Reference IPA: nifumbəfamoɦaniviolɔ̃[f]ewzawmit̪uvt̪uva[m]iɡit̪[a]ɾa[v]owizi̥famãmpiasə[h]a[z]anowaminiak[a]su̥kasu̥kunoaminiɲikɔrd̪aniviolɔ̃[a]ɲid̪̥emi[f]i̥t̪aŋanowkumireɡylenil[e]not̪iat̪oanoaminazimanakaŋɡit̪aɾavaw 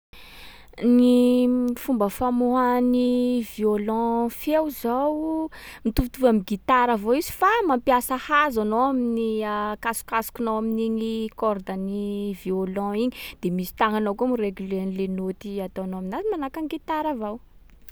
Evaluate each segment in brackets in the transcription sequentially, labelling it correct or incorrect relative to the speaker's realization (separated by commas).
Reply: correct, correct, correct, correct, correct, correct, correct, incorrect, incorrect, correct